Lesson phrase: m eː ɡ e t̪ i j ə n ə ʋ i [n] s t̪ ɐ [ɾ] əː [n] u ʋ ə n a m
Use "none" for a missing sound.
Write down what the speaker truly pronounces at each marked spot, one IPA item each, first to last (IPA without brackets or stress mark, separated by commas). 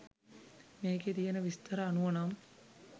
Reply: none, ɾ, n